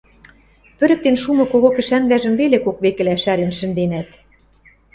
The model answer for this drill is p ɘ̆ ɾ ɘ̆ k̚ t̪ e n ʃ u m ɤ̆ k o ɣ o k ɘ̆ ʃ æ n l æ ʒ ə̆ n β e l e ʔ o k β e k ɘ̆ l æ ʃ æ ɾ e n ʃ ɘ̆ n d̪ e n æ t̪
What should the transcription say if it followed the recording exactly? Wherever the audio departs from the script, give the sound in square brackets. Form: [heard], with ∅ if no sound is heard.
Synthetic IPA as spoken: p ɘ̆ ɾ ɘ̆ k̚ t̪ e n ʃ u m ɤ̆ k o ɣ o k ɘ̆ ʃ æ n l æ ʒ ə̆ [m] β e l e [k] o k β e k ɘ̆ l æ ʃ æ ɾ e n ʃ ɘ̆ n d̪ e n æ t̪